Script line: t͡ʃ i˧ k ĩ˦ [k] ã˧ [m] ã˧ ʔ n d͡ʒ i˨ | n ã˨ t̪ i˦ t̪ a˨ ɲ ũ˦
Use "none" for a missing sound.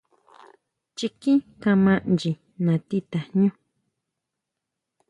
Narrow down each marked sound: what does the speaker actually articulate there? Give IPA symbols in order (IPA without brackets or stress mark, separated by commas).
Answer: k, m